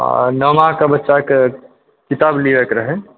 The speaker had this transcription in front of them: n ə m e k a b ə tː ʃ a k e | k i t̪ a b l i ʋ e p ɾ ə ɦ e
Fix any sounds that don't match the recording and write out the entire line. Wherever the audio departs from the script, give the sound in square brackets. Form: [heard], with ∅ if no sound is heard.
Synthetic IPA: n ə m [a] k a b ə tː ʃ a k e | k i t̪ a b l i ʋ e [k] ɾ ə ɦ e